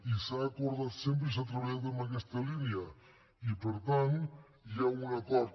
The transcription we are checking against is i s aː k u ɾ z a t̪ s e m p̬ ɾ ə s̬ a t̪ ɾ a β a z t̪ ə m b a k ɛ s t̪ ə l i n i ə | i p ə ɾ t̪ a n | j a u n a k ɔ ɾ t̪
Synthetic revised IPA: i s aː k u ɾ ð a t̪ s e m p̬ ɾ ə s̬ a t̪ ɾ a β a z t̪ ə m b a k ɛ s t̪ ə l i n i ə | i p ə ɾ t̪ a n | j a u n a k ɔ ɾ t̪